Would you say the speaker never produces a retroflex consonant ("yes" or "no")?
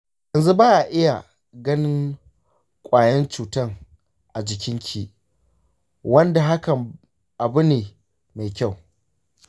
yes